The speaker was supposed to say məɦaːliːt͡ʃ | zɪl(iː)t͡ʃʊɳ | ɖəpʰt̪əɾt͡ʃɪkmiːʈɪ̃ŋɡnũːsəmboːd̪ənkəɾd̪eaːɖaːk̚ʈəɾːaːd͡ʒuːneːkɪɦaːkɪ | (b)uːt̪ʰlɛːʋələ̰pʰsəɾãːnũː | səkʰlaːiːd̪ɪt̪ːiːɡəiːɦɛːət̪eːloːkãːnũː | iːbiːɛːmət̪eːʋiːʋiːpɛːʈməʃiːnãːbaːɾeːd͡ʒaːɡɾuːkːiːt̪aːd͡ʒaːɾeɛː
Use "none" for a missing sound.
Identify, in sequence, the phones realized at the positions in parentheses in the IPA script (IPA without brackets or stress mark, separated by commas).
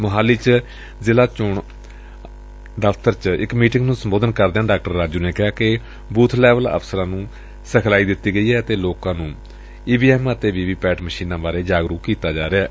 aː, b